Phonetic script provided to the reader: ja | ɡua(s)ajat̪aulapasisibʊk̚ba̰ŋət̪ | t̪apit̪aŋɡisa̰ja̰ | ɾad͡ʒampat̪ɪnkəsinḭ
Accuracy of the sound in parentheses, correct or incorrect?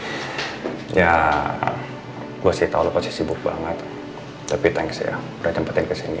correct